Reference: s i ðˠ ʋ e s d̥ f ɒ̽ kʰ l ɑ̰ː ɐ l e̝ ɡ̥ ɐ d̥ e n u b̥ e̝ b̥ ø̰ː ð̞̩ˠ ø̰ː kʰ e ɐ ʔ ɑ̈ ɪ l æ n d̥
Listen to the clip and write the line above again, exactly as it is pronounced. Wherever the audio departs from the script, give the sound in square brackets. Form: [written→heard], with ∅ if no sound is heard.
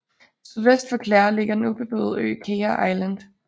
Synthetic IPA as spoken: s [i→y] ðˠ ʋ e s d̥ f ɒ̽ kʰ l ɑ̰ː ɐ l e̝ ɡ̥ ɐ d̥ e n u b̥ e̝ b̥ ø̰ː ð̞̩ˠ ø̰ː kʰ e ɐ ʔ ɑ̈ ɪ l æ n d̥